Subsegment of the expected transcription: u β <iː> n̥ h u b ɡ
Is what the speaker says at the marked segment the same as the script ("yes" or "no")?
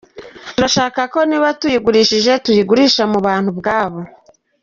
no